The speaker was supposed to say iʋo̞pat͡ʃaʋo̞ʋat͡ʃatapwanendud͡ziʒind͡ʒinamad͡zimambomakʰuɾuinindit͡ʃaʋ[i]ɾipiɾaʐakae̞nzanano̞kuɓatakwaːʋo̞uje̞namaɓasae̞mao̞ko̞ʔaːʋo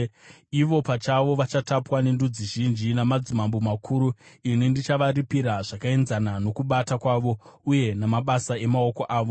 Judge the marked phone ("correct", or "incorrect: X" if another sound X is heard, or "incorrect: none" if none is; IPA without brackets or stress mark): incorrect: a